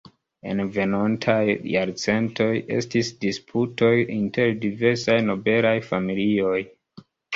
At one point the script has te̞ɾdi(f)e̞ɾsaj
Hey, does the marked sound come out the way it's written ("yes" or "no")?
no